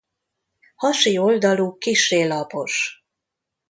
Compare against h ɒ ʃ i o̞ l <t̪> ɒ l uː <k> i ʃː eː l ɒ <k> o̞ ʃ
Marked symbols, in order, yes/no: no, yes, no

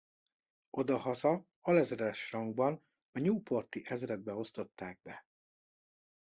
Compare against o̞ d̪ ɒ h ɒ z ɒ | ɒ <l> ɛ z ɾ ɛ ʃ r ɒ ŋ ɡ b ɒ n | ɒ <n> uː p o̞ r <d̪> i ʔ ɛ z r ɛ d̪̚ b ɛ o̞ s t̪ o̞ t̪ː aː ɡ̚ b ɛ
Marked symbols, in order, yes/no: yes, no, no

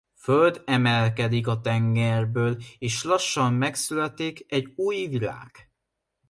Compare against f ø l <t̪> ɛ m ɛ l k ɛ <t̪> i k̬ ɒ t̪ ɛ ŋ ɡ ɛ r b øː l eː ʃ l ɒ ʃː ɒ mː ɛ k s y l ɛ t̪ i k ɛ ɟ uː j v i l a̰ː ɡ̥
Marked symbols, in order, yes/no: no, no

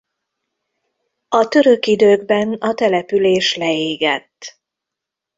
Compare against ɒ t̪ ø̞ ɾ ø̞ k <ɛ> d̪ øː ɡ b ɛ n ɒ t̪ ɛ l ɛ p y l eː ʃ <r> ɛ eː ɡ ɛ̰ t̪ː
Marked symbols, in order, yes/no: no, no

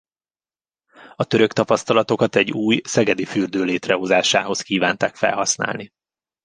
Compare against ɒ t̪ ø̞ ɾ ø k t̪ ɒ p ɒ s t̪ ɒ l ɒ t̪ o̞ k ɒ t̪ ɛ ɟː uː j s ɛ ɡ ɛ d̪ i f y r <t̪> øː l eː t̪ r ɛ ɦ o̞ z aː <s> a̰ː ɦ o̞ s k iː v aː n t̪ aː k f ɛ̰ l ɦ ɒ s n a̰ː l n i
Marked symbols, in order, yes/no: no, no

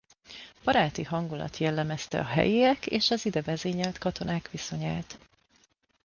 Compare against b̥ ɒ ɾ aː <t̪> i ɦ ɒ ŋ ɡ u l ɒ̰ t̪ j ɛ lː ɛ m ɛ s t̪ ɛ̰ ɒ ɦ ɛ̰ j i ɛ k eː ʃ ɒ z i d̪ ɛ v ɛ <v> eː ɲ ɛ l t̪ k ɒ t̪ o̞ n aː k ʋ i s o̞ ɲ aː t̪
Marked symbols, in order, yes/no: yes, no

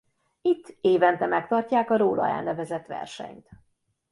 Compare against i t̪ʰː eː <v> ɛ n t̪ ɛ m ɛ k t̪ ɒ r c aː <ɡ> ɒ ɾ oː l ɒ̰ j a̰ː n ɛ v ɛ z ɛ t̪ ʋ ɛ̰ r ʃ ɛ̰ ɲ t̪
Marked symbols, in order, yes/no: yes, no

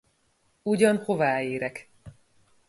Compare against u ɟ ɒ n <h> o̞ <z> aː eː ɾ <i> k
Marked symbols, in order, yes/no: yes, no, no

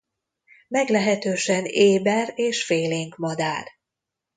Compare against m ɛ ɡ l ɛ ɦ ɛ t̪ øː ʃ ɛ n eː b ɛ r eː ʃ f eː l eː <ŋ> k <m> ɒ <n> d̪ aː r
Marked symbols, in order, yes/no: yes, yes, no

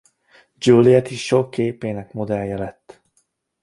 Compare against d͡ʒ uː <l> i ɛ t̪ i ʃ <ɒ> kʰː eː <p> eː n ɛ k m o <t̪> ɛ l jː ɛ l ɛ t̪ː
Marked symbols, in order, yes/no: yes, no, yes, no

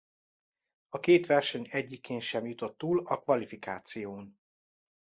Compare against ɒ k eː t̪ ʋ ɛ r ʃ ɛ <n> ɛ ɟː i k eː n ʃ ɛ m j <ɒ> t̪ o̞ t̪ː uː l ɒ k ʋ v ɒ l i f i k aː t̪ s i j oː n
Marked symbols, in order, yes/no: no, no

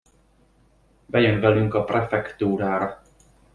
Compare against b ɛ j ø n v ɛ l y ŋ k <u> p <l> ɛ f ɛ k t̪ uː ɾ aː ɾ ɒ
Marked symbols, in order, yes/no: no, no

